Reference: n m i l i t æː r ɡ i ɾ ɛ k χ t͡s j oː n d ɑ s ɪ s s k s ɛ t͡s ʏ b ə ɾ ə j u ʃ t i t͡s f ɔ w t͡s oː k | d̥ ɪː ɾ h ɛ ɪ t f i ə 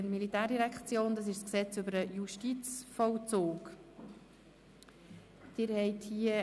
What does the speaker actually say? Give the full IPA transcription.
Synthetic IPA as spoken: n m i l i t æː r d i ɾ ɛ k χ t͡s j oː n d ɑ s ɪ ʃ s k s ɛ t͡s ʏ b ə ɾ ə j u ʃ t i t͡s f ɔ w t͡s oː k | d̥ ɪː ɾ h ɛ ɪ t h i ə